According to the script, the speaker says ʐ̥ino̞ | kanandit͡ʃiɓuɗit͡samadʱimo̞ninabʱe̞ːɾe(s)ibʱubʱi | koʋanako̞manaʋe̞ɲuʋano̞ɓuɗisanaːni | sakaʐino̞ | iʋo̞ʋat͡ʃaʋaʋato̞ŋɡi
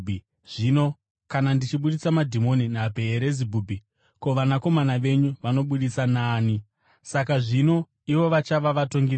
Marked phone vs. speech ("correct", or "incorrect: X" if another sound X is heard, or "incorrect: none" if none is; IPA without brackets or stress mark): incorrect: z